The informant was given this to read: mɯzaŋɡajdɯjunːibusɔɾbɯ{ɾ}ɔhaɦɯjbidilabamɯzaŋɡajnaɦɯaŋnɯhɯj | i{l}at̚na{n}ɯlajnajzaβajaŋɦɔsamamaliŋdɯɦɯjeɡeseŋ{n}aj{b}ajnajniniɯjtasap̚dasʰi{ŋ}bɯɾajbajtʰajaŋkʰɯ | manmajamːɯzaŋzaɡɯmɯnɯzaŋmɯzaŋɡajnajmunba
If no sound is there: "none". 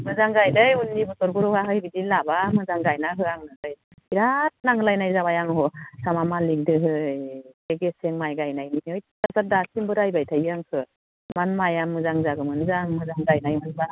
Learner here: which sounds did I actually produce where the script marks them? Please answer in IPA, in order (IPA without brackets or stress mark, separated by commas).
ɾ, ɾ, ŋ, m, ɡ, m